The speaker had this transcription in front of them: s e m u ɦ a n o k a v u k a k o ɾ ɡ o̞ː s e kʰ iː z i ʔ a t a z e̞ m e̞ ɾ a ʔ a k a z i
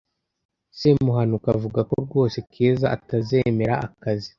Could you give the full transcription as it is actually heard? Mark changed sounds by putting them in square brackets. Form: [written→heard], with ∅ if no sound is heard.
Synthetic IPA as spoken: s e m u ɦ a n [o→u] k a v u [k→ɡ] a k o ɾ ɡ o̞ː s e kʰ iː z [i→a] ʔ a t a z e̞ m e̞ ɾ a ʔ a k a z i